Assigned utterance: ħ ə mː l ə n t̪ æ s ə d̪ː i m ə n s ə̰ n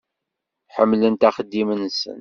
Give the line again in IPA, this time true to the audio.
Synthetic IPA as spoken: ħ ə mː l ə n t̪ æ χ ə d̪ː i m ə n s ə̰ n